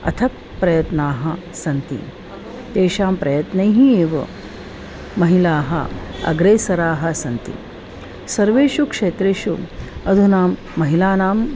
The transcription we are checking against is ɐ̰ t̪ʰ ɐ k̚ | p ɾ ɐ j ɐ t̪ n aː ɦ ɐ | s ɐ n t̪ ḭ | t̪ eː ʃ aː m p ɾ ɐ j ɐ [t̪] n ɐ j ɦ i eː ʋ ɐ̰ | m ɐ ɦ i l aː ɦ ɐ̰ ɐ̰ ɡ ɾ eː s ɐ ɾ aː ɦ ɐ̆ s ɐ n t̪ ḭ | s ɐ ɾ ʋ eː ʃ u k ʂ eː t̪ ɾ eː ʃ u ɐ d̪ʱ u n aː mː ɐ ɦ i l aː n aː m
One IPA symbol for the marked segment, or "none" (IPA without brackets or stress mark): t̪